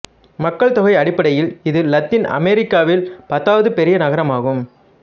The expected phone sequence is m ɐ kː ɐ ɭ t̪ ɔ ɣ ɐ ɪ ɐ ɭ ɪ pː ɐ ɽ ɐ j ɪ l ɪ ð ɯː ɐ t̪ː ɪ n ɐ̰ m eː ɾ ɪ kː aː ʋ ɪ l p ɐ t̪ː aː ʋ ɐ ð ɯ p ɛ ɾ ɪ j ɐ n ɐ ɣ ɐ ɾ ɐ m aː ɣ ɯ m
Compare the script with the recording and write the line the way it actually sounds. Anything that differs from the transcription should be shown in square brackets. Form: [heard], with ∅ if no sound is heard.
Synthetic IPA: m ɐ kː ɐ ɭ t̪ ɔ ɣ ɐ ɪ ɐ [ɽ] ɪ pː ɐ ɽ ɐ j ɪ l ɪ ð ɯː ɐ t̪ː ɪ n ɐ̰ m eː ɾ ɪ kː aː ʋ ɪ l p ɐ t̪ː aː ʋ ɐ ð ɯ p ɛ ɾ ɪ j ɐ n ɐ ɣ ɐ ɾ ɐ m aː ɣ ɯ m